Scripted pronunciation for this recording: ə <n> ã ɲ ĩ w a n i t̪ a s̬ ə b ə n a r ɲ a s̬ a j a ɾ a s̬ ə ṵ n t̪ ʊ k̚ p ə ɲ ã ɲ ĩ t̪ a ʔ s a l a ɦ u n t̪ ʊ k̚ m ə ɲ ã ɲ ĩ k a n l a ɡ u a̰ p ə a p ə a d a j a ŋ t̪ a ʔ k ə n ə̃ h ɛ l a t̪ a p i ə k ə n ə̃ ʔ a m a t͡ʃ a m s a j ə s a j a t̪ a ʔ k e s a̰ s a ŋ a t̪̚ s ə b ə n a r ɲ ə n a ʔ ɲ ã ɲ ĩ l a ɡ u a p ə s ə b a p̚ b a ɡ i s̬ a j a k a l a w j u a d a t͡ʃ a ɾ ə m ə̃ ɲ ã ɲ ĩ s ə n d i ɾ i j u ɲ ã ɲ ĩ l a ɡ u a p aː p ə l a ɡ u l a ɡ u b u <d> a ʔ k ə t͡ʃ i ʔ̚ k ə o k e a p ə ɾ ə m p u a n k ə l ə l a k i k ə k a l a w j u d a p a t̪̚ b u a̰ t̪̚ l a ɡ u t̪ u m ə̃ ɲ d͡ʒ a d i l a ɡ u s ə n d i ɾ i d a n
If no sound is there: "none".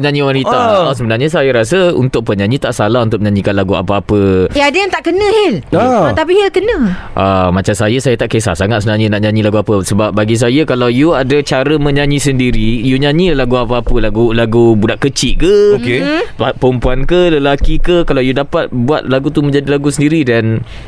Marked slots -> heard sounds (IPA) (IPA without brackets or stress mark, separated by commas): ɲ, d